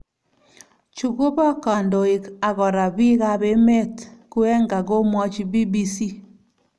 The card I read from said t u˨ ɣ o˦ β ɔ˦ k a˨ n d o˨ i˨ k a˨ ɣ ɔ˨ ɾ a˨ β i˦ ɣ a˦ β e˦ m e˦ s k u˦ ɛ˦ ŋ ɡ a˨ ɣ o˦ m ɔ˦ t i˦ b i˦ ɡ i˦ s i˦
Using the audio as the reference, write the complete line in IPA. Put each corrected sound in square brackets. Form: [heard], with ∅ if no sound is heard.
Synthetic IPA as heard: [t͡ʃ] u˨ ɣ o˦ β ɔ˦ k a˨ n d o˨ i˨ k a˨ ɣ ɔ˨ ɾ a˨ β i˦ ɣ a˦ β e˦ m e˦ [t] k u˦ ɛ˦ ŋ ɡ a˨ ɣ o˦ m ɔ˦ [t͡ʃ] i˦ b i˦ [b] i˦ s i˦

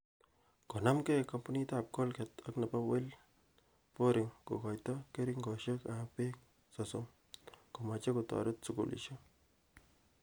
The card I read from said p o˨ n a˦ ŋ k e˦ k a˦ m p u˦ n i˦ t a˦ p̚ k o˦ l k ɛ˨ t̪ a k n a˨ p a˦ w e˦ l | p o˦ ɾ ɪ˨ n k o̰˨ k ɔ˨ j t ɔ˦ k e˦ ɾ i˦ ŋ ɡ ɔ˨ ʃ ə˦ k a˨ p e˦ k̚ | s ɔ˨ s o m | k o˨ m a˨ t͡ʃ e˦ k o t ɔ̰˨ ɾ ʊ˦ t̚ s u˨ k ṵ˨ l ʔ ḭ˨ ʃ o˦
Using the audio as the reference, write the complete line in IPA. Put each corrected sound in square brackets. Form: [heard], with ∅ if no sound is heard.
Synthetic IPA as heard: [k] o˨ n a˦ [m] k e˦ k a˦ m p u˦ n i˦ t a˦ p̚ k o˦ l k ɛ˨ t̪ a k n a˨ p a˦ w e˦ l | p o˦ ɾ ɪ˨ [ŋ] k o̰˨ k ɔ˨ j t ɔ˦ k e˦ ɾ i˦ ŋ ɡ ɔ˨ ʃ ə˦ k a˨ p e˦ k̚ | s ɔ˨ s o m | k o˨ m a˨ t͡ʃ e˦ k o t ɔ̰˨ ɾ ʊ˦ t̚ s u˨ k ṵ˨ l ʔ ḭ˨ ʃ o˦

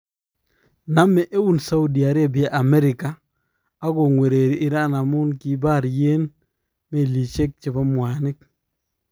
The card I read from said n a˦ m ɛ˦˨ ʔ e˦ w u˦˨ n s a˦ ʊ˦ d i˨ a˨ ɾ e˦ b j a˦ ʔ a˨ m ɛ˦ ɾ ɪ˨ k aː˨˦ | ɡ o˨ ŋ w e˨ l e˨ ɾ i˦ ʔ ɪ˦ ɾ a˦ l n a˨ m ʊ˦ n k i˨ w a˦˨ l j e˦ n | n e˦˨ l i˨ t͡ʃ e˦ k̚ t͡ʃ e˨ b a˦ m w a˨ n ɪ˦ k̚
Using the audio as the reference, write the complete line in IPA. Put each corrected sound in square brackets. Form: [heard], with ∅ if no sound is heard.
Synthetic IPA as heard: n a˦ m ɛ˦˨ ʔ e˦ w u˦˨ n s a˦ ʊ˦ d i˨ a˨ ɾ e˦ b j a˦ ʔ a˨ m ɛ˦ ɾ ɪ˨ k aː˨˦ | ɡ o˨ ŋ w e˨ [ɾ] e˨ ɾ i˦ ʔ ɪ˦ ɾ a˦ [∅] n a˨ m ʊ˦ n k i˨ [b] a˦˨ [ɾ] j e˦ n | [m] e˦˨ l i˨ t͡ʃ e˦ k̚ t͡ʃ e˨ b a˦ m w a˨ n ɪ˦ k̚

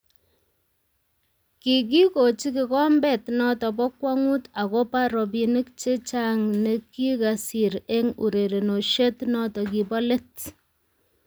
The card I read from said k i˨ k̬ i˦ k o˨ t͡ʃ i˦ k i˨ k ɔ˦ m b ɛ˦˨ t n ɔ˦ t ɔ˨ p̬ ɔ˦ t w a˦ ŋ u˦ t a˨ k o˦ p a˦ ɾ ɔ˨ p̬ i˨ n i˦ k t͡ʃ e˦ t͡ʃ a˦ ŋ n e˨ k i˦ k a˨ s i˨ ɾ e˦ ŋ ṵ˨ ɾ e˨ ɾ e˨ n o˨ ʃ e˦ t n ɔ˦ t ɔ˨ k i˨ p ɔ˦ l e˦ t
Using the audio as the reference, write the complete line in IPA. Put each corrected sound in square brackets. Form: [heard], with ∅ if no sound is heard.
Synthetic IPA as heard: k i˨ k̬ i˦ k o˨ t͡ʃ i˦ k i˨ k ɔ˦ m b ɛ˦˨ t n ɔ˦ t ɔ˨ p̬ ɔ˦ [k] w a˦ ŋ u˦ t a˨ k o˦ p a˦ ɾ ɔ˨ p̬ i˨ n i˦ k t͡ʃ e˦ t͡ʃ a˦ ŋ n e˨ k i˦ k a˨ s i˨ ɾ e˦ ŋ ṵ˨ ɾ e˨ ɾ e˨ n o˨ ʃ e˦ t n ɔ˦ t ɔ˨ k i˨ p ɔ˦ l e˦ t

